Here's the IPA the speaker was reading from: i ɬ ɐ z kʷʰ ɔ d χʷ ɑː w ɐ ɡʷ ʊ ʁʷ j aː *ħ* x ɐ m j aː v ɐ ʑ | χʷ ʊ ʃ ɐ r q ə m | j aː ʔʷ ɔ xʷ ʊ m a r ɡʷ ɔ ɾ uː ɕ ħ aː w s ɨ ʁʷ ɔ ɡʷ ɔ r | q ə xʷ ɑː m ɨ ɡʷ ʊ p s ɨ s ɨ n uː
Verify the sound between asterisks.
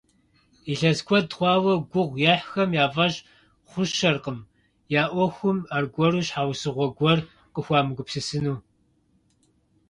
correct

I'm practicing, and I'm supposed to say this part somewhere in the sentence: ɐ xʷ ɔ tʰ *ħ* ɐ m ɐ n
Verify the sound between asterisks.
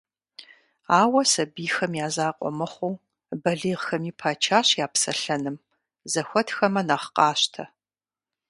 incorrect: x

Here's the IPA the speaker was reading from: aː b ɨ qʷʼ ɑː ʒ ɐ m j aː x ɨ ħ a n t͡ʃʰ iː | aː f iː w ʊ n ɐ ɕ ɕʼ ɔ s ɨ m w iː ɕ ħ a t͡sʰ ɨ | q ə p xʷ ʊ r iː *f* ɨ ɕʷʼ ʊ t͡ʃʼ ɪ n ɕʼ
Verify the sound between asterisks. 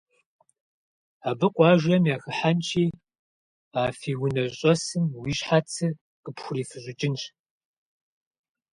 correct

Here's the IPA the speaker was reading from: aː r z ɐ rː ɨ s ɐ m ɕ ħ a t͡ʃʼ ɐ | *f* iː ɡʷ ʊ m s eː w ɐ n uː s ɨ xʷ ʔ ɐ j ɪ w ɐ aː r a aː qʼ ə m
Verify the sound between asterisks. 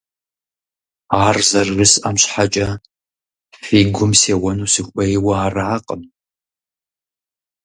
correct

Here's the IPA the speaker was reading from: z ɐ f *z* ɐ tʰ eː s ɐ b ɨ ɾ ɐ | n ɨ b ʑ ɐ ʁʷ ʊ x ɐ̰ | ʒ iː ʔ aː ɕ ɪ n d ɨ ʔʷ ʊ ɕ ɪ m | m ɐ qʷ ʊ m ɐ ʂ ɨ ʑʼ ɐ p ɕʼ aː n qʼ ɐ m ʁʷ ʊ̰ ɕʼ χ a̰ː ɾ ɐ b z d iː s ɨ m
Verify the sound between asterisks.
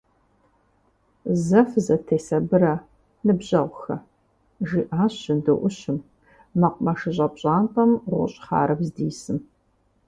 correct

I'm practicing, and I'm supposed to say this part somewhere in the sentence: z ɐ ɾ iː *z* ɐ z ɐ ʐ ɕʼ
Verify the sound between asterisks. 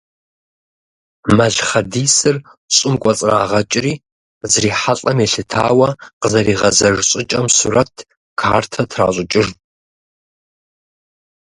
incorrect: ʁ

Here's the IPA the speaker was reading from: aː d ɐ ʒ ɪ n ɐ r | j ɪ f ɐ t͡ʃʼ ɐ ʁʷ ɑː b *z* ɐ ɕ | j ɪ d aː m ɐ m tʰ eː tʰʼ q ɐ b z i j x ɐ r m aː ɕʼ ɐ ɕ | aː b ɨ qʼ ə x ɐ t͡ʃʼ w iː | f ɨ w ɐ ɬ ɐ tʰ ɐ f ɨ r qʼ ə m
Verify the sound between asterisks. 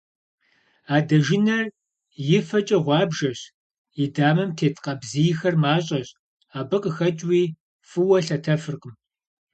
incorrect: ʒ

